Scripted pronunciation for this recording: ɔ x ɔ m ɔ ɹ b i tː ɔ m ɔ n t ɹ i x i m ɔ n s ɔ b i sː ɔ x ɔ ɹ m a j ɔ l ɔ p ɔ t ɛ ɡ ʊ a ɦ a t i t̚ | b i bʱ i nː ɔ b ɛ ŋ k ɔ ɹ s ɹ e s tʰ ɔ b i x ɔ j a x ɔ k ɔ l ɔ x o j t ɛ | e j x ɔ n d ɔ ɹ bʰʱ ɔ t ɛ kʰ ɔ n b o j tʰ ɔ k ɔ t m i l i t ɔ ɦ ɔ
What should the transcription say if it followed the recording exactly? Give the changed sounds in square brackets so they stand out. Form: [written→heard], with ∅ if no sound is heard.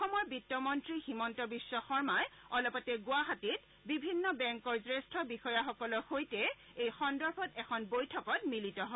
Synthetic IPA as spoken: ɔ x ɔ m ɔ ɹ b i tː ɔ m ɔ n t ɹ i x i m ɔ n [s→t] ɔ b i sː ɔ x ɔ ɹ m a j ɔ l ɔ p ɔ t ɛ ɡ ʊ a ɦ a t i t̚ | b i bʱ i nː ɔ b ɛ ŋ k ɔ ɹ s ɹ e s tʰ ɔ b i x ɔ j a x ɔ k ɔ l ɔ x o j t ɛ | e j x ɔ n d ɔ ɹ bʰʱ ɔ t ɛ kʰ ɔ n b o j tʰ ɔ k ɔ t m i l i t ɔ ɦ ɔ